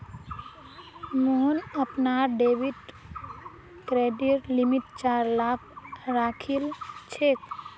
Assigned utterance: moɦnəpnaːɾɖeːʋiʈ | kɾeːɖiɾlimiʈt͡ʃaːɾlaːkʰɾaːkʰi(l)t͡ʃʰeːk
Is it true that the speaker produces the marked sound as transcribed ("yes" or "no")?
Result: yes